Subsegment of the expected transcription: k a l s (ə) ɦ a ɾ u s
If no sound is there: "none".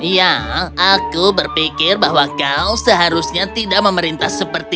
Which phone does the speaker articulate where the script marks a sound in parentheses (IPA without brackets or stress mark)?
ə